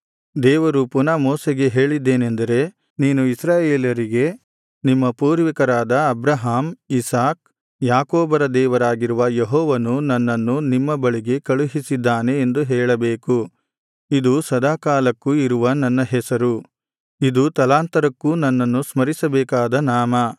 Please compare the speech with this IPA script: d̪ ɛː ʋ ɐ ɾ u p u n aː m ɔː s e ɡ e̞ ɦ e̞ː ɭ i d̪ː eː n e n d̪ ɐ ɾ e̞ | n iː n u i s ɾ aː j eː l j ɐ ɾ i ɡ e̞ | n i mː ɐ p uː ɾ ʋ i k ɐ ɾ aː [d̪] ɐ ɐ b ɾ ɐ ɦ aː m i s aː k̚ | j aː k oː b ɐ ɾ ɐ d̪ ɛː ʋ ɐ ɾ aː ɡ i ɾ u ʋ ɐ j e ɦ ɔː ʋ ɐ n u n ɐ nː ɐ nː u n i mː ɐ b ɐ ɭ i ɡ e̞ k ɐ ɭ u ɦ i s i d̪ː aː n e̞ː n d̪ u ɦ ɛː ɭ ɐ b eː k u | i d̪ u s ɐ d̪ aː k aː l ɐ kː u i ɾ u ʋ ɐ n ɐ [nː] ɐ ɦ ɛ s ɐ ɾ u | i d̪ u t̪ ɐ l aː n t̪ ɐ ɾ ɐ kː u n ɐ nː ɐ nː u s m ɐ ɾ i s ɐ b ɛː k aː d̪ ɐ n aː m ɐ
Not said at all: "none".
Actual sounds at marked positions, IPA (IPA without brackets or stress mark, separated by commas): d̪, nː